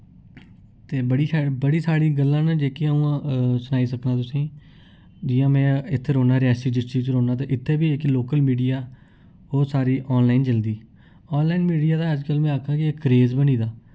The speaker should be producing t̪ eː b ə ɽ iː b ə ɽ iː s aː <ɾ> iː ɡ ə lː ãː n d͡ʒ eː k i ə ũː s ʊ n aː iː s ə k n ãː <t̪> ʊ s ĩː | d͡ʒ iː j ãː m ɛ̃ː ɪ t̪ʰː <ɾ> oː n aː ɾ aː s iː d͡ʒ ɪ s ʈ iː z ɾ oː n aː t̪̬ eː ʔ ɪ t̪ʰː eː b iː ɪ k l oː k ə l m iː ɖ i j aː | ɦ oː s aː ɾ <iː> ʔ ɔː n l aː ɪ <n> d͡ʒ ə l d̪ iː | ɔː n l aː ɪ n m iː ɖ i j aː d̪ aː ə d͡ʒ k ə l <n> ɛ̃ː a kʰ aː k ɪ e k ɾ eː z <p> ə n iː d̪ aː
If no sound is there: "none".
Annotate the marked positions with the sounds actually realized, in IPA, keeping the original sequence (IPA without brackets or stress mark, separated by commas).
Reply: ɽ, t̪, ɾ, iː, n, m, b